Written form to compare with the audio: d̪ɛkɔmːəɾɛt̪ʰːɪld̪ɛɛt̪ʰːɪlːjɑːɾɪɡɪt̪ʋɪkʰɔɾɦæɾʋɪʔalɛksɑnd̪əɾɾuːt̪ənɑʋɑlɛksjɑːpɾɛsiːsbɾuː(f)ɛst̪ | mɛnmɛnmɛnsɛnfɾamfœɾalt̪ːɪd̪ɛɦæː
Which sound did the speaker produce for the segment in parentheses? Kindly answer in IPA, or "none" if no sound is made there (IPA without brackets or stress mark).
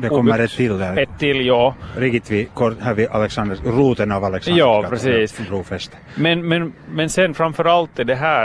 f